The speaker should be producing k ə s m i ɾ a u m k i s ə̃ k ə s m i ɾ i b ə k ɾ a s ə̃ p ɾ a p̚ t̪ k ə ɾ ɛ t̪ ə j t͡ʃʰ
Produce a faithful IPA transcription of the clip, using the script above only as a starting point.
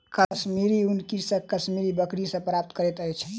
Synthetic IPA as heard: k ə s m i ɾ i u n k i s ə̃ k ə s m i ɾ i b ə k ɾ i s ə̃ p ɾ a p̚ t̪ k ə ɾ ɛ t̪ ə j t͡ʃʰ

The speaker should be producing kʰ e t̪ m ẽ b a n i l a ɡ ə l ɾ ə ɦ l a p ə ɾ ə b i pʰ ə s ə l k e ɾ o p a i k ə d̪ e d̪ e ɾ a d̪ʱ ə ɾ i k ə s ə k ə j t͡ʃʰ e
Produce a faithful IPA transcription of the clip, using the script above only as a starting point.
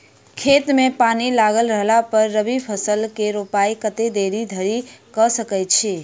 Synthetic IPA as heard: kʰ e t̪ m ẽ p a n i l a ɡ ə l ɾ ə ɦ l a p ə ɾː ə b i pʰ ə s ə l k e ɾ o p a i k ə t̪ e d̪ e ɾ i d̪ʱ ə ɾ i k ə s ə k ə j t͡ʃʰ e

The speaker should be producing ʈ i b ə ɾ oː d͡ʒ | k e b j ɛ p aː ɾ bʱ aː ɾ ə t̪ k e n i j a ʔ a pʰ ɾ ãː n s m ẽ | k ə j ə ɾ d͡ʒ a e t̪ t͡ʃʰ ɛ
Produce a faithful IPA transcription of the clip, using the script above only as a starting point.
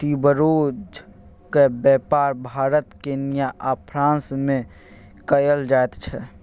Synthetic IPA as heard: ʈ i b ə ɾ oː d͡ʒ | k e b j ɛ p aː ɾ bʱ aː ɾ ə t̪ k e n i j a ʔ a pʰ ɾ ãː n s m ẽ | k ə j ə l d͡ʒ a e t̪ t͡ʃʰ ɛ

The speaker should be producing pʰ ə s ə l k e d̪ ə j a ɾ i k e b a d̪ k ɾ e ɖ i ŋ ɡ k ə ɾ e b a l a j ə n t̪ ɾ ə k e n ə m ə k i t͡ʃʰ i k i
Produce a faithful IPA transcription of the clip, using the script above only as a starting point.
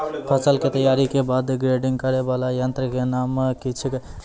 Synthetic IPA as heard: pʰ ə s ə l k e t̪ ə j a ɾ i k e b a d̪ ɡ ɾ e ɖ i ŋ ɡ k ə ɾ e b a l a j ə n t̪ ɾ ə k e n a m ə k i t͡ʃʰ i k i

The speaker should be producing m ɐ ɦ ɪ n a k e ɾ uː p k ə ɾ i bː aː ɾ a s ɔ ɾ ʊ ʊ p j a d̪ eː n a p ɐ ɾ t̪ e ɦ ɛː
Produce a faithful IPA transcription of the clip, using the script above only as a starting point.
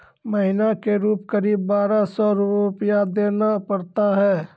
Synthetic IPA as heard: m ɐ ɦ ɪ n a k e ɾ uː p k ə ɾ iː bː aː ɾ a s ɔ ɾ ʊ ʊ p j a d̪ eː n a p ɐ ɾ t̪ a ɦ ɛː

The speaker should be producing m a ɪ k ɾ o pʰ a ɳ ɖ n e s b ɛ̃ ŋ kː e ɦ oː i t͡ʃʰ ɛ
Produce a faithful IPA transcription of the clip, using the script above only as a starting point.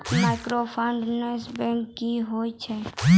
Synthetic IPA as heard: m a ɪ k ɾ o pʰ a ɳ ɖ n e s b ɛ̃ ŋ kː i ɦ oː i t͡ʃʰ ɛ

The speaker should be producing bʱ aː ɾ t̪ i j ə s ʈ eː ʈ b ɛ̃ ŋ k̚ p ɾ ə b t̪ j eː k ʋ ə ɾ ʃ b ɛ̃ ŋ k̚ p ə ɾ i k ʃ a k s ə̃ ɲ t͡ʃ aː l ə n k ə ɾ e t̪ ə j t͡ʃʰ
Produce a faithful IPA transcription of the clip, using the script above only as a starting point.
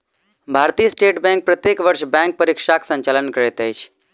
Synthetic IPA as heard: bʱ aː ɾ t̪ i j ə s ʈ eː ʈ b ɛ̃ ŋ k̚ p ɾ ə t̪ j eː k ʋ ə ɾ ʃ b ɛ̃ ŋ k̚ p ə ɾ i k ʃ a k s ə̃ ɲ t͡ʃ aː l ə n k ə ɾ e t̪ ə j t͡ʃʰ

